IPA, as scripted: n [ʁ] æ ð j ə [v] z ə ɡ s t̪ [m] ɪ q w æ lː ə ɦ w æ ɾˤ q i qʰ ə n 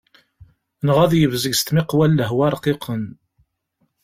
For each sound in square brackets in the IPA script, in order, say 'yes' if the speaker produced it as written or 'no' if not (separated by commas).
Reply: yes, yes, yes